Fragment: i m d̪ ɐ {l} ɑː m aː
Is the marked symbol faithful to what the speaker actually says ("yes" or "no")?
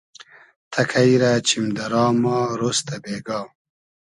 no